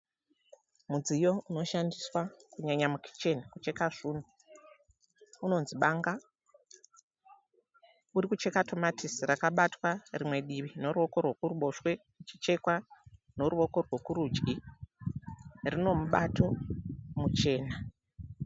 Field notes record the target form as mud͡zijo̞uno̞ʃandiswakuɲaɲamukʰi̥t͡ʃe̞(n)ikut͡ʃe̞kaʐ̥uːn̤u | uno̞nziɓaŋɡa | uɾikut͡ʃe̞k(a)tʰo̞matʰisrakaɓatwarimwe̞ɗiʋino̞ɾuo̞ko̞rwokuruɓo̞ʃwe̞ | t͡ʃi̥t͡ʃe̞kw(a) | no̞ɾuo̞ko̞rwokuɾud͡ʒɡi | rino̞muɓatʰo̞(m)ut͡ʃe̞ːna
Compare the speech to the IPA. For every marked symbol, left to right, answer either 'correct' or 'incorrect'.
correct, correct, correct, correct

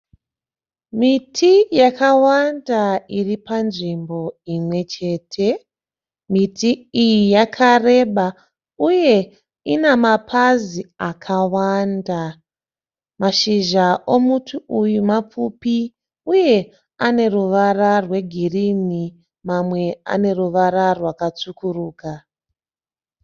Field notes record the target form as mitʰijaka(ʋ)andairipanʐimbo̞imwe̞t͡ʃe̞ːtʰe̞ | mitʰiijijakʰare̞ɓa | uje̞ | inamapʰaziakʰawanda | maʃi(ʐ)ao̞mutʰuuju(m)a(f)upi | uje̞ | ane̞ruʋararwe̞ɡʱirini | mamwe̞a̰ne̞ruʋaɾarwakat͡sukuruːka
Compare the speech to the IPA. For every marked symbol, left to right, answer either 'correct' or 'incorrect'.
incorrect: w, incorrect: ʒ, correct, incorrect: p͡f

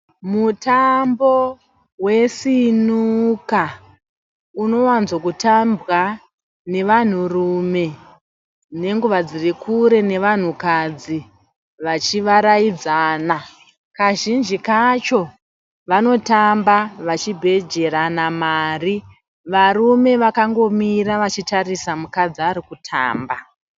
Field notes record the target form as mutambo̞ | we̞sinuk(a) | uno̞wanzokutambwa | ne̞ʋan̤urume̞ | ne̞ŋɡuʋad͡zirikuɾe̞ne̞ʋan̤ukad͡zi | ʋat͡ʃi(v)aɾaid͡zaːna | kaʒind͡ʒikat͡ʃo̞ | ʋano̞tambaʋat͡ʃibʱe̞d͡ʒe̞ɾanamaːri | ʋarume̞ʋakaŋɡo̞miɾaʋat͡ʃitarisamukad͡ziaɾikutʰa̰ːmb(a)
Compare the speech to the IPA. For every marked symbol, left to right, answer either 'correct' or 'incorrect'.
correct, incorrect: ʋ, correct

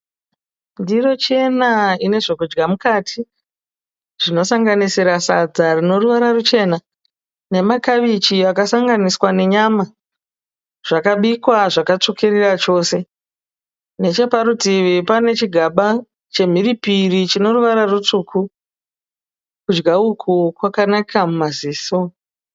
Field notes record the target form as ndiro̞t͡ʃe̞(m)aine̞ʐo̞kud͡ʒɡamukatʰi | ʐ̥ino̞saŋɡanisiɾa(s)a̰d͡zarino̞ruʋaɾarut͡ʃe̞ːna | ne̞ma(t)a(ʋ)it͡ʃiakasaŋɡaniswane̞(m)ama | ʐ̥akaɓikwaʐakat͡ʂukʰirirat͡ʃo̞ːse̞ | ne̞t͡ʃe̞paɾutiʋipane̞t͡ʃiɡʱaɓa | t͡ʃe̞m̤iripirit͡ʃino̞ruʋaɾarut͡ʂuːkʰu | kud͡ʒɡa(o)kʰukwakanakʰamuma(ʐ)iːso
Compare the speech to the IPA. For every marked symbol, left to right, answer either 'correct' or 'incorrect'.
incorrect: n, correct, incorrect: k, correct, incorrect: ɲ, incorrect: u, incorrect: z

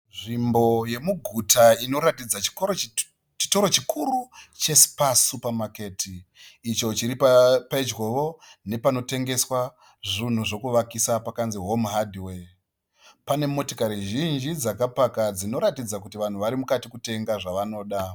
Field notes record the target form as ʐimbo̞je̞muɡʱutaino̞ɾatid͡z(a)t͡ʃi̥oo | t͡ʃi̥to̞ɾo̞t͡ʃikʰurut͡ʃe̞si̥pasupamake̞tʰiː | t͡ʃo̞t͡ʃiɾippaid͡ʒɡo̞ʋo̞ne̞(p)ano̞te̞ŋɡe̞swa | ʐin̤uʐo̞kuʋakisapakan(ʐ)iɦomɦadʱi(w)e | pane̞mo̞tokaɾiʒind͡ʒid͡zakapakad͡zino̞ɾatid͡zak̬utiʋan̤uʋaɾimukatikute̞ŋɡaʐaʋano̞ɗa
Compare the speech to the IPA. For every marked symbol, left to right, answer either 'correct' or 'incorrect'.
correct, correct, incorrect: z, correct

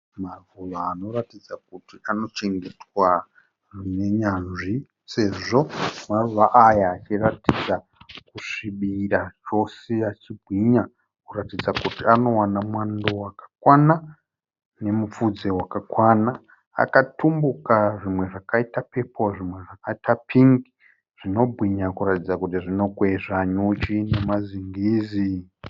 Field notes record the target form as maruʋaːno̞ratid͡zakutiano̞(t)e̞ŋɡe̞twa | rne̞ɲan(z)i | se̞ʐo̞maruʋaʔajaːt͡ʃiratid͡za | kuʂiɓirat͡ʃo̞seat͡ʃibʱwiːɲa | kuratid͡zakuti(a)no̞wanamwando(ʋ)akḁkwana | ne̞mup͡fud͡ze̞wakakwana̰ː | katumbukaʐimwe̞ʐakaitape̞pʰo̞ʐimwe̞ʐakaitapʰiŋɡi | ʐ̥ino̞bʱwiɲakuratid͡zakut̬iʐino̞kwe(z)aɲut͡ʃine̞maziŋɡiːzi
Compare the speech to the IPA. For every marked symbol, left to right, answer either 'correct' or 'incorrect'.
incorrect: t͡ʃ, incorrect: ʐ, correct, incorrect: w, incorrect: ʐ

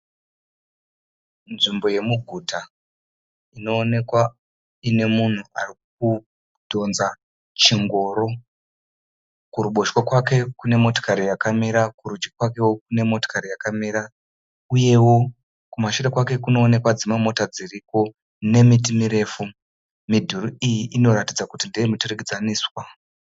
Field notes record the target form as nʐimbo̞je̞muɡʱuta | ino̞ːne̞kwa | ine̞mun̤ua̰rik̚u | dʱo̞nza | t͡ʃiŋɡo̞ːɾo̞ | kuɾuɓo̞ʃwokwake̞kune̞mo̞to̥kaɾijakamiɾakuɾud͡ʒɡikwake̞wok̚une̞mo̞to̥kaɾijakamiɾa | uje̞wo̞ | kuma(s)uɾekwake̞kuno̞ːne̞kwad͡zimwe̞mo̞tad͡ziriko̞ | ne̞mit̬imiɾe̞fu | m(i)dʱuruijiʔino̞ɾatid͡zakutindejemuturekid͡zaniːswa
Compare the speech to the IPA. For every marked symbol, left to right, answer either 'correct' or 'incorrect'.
incorrect: ʃ, correct

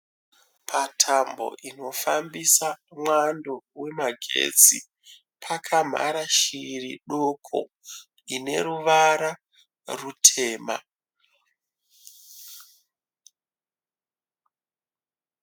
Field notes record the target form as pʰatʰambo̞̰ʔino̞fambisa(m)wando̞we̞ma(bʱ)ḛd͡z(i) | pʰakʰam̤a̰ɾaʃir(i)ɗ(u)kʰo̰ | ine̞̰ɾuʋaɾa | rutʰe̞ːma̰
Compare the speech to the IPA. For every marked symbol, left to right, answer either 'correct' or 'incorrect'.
correct, incorrect: ɡʱ, correct, correct, incorrect: o

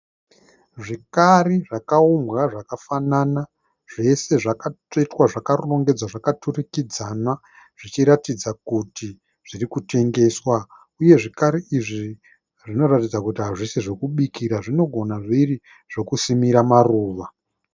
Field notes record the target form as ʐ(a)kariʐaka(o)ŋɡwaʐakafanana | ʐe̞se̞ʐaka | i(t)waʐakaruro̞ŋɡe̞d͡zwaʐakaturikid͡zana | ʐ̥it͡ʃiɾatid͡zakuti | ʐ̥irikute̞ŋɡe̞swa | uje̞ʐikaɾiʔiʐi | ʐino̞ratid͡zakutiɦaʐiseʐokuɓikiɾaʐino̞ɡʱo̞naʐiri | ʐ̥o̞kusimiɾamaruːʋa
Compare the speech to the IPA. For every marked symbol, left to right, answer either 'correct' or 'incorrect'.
incorrect: i, incorrect: u, correct

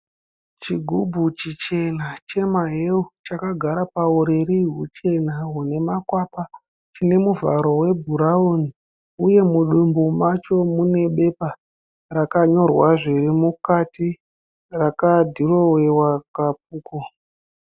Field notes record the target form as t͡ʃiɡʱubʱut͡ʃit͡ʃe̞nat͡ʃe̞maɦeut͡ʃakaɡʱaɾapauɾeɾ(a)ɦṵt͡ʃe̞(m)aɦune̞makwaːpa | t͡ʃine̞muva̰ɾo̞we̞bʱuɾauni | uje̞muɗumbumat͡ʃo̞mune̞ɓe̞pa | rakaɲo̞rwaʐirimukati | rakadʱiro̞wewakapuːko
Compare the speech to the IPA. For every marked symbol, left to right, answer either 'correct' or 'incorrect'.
incorrect: i, incorrect: n

